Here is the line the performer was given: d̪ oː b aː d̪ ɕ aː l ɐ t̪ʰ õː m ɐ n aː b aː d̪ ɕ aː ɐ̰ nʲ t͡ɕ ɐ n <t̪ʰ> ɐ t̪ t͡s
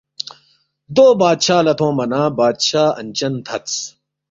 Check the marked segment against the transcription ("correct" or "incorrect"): correct